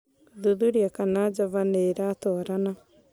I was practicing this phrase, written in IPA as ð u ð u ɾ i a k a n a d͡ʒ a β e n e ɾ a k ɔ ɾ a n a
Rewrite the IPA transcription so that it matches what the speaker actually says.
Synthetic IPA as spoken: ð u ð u ɾ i a k a n a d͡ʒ a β a n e ɾ a t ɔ ɾ a n a